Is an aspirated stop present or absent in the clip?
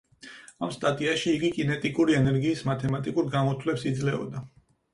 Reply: present